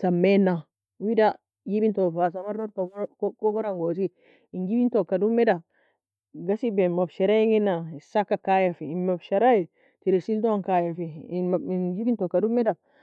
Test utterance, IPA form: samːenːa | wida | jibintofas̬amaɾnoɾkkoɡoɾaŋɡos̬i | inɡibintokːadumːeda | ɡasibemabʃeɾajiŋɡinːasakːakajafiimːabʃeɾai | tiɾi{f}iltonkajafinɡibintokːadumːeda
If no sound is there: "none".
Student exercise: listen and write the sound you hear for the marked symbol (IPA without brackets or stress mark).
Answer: s